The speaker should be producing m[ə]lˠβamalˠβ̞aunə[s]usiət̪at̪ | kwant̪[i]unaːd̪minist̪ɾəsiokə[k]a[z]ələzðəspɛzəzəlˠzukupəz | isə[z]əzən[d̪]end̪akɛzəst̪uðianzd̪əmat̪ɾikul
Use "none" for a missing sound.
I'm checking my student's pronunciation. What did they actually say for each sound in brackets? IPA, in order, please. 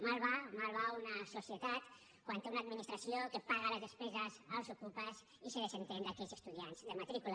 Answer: a, s, e, p, ɣ, ð, t̪

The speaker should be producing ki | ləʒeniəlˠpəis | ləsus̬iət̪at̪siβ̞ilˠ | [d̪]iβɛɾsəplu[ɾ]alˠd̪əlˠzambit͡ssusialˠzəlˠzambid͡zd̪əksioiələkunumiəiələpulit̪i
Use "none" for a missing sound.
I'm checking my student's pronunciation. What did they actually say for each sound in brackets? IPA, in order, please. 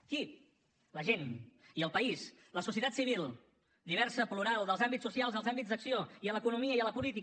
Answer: d̪, ɾ

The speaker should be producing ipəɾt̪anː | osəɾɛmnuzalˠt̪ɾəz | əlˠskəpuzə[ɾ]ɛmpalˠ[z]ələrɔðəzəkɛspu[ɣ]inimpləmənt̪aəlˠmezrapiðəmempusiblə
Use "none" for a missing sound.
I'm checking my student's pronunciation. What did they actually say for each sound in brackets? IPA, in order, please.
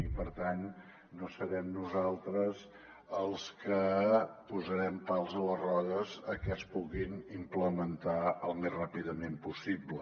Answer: ɾ, z, ɣ

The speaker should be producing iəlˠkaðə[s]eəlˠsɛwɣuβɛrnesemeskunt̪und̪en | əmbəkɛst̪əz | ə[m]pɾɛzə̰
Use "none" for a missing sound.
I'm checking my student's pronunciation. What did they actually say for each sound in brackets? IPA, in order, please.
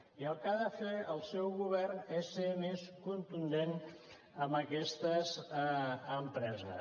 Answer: f, m

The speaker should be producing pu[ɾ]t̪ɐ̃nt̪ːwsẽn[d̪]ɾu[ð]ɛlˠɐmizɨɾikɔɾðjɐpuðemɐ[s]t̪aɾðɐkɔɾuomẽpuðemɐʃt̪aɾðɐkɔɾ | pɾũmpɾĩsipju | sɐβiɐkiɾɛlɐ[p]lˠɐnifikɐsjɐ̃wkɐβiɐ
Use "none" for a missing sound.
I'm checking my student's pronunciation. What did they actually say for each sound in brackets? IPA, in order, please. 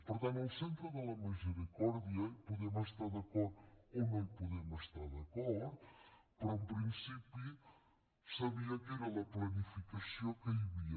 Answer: ɾ, t̪, ð, ʃ, p

